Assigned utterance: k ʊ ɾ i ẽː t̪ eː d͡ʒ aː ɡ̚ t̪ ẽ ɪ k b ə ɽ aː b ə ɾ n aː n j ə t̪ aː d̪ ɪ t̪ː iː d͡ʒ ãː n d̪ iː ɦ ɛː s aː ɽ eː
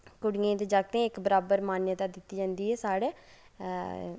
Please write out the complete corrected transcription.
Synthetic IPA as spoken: k ʊ ɽ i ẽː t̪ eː d͡ʒ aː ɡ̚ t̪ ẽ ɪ k b ə ɾ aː b ə ɾ m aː n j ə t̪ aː d̪ ɪ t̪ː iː d͡ʒ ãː n d̪ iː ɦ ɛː s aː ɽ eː

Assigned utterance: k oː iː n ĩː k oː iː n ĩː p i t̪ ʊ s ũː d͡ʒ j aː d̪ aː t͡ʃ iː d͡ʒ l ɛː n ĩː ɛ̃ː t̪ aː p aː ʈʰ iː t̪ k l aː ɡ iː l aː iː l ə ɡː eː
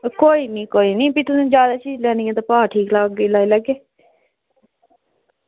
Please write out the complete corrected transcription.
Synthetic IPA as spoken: k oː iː n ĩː k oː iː n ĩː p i t̪ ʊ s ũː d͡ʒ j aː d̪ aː t͡ʃ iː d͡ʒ l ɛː n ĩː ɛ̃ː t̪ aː p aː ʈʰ iː k l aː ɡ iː l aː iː l ə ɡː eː

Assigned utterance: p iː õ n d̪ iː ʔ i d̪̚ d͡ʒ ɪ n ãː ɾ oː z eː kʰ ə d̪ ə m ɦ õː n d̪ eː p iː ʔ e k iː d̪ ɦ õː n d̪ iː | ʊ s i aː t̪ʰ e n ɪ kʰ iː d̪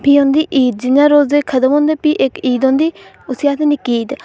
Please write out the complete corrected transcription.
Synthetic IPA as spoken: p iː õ n d̪ iː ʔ iː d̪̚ d͡ʒ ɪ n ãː ɾ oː z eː kʰ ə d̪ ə m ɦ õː n d̪ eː p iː ʔ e k iː d̪ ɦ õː n d̪ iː | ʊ s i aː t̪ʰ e n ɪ k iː d̪

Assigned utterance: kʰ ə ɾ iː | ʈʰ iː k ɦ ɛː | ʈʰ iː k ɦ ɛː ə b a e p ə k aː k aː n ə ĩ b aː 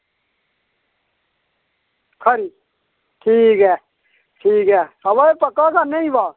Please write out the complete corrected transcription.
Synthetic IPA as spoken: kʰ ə ɾ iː | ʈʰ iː k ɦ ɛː | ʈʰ iː k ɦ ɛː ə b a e p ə k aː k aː n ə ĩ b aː

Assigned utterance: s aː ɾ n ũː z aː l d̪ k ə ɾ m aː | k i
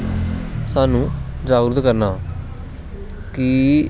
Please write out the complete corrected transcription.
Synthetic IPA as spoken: s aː n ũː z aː ɾ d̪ k ə ɾ n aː | k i

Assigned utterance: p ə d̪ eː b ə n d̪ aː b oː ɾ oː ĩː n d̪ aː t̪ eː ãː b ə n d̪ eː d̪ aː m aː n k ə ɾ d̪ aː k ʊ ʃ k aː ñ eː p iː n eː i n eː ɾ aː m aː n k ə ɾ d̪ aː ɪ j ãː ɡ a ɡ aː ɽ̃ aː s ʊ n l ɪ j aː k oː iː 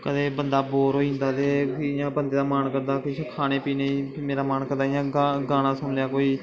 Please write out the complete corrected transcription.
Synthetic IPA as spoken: k ə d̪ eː b ə n d̪ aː b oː ɾ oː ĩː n d̪ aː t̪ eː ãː b ə n d̪ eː d̪ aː m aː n k ə ɾ d̪ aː k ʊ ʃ kʰ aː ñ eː p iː n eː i m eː ɾ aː m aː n k ə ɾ d̪ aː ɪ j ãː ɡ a ɡ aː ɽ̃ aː s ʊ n l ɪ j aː k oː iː

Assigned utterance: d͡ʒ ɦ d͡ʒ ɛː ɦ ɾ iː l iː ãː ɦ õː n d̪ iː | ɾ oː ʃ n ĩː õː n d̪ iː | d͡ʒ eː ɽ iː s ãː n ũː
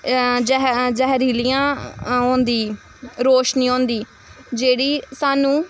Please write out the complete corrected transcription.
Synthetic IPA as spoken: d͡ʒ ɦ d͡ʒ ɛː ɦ ɾ iː l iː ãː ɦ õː n d̪ iː | ɾ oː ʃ n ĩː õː n d̪ iː | d͡ʒ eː ɽ iː s aː n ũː

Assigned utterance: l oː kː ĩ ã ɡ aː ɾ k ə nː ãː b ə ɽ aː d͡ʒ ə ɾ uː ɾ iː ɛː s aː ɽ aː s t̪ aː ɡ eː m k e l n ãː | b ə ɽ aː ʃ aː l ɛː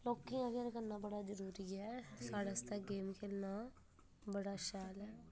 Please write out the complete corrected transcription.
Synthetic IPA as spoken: l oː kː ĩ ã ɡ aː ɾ k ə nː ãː b ə ɽ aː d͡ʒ ə ɾ uː ɾ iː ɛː s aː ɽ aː s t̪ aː ɡ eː m k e l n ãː | b ə ɽ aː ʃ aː l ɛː

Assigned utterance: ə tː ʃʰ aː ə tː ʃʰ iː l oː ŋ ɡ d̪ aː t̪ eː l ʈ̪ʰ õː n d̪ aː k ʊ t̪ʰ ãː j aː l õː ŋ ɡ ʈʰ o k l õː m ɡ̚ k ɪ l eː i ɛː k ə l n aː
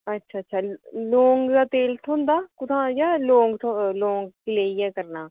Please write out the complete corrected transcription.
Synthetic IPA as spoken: ə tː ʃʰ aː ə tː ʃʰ aː l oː ŋ ɡ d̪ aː t̪ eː l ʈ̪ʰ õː n d̪ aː k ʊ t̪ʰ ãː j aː l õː ŋ ɡ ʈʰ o l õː ŋ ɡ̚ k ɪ l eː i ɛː k ə ɾ n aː

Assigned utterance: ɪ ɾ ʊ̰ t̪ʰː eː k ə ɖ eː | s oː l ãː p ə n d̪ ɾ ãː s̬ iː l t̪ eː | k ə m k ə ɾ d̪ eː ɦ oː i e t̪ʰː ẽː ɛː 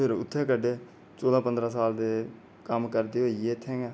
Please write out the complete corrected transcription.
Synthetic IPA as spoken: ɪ ɾ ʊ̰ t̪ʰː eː k ə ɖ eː | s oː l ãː p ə n d̪ ɾ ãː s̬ aː l d̪ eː | k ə m k ə ɾ d̪ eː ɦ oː i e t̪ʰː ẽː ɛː

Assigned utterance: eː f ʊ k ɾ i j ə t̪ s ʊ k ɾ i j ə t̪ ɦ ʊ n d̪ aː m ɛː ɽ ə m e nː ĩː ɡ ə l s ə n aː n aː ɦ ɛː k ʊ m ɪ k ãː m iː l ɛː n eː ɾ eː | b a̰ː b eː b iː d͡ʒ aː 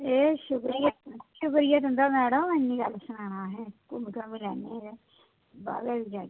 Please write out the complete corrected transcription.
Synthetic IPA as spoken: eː ʃ ʊ k ɾ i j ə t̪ ʃ ʊ k ɾ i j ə t̪ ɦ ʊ n d̪ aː m ɛː ɽ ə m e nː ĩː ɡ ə l s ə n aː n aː ɦ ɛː k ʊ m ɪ k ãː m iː l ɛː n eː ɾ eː | b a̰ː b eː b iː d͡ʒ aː

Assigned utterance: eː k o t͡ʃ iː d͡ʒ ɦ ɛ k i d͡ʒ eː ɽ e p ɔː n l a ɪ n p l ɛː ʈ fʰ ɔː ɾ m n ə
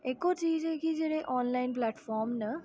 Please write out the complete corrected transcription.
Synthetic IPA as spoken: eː k o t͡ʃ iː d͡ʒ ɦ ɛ k i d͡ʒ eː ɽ e ʔ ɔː n l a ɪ n p l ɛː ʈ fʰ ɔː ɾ m n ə

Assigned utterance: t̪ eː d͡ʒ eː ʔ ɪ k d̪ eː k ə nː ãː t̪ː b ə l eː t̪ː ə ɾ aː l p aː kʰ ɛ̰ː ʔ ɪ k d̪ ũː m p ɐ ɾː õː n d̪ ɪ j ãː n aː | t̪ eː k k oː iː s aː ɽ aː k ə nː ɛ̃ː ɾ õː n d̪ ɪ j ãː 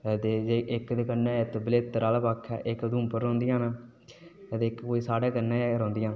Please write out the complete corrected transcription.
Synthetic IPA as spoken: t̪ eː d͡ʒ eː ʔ ɪ k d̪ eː k ə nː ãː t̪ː b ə l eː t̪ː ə ɾ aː l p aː kʰ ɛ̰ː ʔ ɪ k d̪ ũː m p ə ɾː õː n d̪ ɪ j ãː n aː | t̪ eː k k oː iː s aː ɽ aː k ə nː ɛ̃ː ɾ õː n d̪ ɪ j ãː

